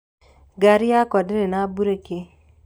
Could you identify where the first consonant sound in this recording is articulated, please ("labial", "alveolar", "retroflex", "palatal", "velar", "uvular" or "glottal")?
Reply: velar